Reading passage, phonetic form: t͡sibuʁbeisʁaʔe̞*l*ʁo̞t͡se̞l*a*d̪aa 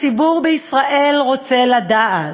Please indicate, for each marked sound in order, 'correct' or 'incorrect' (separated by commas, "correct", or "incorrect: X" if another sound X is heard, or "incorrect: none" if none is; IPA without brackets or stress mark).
correct, correct